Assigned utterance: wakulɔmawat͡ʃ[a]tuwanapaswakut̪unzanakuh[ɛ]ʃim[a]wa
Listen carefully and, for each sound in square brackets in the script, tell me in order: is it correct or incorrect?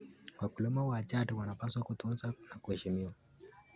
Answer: correct, correct, incorrect: i

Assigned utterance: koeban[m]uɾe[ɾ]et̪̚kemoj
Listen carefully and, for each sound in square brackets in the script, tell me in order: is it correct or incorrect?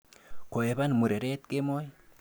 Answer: correct, correct

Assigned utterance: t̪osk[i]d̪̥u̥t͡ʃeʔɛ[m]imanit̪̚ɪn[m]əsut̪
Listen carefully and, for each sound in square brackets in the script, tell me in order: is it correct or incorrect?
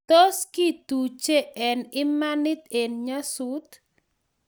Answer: correct, incorrect: n, incorrect: ɲ

